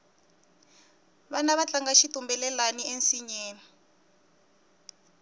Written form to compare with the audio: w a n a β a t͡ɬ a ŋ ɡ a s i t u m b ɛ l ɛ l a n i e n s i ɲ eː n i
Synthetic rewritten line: β a n a β a t͡ɬ a ŋ ɡ a ʃ i t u m b ɛ l ɛ l a n i e n s i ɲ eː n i